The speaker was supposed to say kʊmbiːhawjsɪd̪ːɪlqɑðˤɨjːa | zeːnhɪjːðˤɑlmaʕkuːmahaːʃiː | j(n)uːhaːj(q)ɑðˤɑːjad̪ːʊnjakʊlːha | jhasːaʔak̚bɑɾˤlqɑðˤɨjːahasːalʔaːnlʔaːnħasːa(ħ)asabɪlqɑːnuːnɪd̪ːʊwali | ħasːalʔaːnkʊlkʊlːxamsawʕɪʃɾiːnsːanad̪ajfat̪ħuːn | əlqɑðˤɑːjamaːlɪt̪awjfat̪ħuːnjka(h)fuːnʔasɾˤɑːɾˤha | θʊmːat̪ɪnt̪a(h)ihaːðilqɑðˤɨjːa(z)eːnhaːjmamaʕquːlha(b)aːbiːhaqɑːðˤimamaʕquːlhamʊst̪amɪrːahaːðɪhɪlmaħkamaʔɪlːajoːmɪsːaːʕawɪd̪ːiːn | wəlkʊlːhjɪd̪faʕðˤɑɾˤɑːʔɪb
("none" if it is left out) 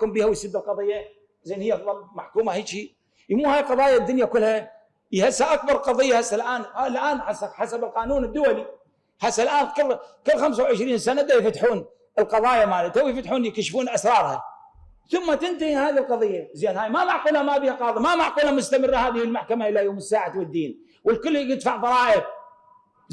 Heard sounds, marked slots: m, q, ħ, ʃ, h, z, m

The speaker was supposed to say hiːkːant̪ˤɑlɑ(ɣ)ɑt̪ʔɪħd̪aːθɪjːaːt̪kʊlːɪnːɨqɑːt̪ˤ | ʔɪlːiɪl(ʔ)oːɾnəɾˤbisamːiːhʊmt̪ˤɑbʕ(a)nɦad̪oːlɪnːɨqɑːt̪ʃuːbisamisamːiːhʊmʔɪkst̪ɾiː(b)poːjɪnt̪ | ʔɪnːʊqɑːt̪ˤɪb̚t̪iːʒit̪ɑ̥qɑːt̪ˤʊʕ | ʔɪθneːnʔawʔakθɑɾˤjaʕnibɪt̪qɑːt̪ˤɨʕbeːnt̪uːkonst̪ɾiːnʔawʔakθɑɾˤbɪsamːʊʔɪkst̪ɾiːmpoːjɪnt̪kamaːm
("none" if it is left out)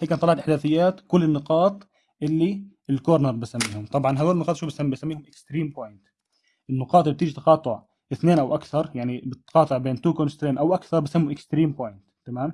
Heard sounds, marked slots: ʕ, k, ɑ, m

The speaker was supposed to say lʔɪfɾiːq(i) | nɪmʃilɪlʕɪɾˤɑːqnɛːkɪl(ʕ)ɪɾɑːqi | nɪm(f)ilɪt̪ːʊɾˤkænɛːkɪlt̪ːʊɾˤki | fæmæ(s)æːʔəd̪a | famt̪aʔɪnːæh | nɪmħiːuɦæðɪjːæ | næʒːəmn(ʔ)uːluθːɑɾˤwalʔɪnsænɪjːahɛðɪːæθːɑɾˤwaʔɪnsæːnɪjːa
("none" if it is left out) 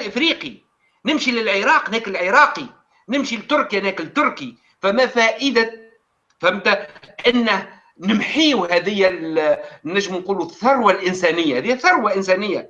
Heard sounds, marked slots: i, ʕ, ʃ, f, q

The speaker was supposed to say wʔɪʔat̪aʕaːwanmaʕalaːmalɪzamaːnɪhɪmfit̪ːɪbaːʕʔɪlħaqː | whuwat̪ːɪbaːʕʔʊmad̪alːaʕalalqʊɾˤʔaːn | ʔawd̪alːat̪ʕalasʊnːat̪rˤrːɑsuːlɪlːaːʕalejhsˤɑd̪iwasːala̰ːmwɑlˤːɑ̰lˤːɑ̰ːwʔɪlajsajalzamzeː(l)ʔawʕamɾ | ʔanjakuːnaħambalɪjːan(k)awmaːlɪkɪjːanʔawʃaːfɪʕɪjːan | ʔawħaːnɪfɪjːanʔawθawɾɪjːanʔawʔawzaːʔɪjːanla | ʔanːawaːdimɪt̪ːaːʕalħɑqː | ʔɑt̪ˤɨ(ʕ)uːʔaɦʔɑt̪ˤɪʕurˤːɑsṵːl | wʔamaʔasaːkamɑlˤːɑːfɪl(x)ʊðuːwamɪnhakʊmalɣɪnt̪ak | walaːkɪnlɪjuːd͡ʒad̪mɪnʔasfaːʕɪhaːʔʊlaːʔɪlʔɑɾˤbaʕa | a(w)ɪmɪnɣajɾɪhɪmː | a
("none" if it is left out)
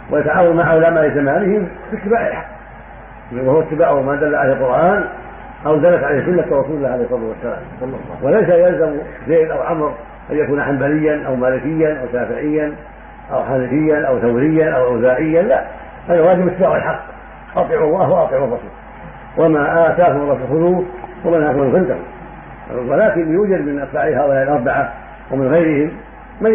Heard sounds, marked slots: l, ʔ, ʕ, x, w

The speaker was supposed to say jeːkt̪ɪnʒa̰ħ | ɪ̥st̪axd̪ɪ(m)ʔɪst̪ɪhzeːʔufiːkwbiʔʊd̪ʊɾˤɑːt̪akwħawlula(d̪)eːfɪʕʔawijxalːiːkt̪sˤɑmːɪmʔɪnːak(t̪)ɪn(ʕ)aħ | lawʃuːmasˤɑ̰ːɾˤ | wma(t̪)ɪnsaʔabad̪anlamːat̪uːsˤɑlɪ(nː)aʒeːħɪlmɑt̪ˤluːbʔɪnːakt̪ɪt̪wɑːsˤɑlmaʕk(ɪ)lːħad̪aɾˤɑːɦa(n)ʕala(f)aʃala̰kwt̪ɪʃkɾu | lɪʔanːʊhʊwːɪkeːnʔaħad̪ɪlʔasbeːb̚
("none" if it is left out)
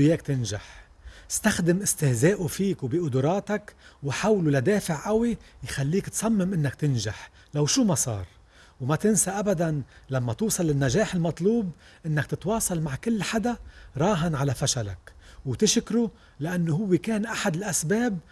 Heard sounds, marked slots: m, d̪, t̪, ʒ, t̪, nː, ɪ, n, f

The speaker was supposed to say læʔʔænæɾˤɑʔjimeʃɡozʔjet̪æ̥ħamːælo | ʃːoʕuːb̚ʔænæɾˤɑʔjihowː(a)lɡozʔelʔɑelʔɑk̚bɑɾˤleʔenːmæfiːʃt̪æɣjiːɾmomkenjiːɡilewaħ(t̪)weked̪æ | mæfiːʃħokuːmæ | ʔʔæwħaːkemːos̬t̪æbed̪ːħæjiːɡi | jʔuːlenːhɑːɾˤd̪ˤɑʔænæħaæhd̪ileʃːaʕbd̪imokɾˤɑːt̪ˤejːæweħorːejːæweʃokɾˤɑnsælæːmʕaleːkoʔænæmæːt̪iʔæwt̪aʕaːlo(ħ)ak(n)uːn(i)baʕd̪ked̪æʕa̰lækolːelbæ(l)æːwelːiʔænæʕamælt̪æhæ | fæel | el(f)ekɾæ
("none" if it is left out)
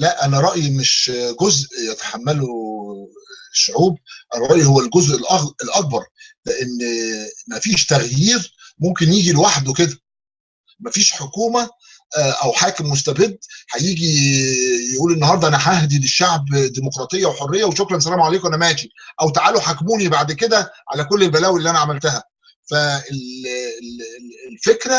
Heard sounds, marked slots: æ, d̪, ħ, m, i, l, f

